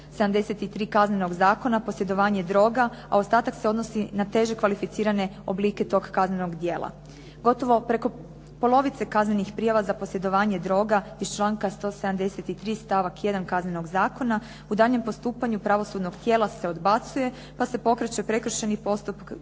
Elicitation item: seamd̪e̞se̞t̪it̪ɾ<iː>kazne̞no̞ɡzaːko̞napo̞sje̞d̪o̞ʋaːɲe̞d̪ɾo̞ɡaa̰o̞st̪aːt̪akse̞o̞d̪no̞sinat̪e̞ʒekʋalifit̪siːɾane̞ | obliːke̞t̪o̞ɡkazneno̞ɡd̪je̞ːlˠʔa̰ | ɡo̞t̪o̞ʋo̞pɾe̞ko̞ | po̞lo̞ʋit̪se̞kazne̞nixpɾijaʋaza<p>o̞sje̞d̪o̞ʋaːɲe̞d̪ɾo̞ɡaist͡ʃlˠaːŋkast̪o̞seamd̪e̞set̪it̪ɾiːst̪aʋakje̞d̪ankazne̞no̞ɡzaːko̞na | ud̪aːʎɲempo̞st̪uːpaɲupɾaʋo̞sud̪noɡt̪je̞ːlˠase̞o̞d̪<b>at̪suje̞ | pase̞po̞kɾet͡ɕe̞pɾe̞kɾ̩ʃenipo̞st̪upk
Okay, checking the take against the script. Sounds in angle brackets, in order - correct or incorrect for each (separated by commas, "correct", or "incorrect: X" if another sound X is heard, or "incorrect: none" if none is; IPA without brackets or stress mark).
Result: correct, correct, correct